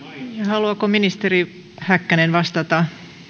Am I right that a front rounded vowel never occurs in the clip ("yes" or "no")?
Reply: yes